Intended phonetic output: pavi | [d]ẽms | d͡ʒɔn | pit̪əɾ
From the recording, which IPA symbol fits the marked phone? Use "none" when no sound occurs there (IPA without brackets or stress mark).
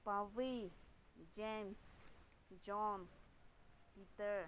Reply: d͡ʒ